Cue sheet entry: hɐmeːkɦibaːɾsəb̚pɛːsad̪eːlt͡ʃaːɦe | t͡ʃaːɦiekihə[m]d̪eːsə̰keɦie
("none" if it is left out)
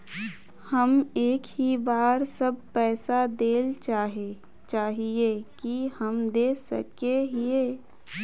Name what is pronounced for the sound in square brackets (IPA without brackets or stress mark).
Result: m